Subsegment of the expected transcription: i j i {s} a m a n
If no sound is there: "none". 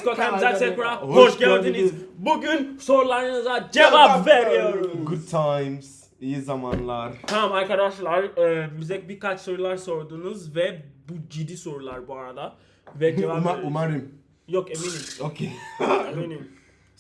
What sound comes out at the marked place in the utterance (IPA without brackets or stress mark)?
z